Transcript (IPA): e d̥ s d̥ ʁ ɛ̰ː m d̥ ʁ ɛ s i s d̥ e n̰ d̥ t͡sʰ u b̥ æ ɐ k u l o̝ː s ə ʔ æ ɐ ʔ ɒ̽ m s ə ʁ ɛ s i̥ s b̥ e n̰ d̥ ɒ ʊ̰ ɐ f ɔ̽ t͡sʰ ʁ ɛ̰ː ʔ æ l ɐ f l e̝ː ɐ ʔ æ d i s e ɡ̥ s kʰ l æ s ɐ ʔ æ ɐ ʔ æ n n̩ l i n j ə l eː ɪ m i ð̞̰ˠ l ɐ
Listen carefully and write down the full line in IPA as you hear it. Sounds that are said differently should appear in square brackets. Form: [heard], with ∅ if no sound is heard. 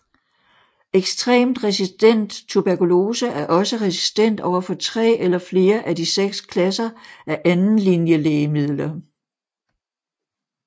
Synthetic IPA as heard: e [ɡ̥] s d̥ ʁ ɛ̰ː m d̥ ʁ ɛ s i s d̥ e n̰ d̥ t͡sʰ u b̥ æ ɐ k u l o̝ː s ə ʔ æ ɐ ʔ ɒ̽ [∅] s ə ʁ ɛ s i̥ s [d̥] e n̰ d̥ ɒ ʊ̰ ɐ f [ɒ̽] t͡sʰ ʁ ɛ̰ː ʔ [e] l ɐ f l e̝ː ɐ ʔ æ d i s e ɡ̥ s kʰ l æ s ɐ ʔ æ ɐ ʔ æ n n̩ l i n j ə l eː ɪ m i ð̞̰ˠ l ɐ